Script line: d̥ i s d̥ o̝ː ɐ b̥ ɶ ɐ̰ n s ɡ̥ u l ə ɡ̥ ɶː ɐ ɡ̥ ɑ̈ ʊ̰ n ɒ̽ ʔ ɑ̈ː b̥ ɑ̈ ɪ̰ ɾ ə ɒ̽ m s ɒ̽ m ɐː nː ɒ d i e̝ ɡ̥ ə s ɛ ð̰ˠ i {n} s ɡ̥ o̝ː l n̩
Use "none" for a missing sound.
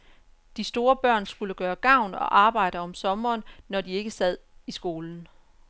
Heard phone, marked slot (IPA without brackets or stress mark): none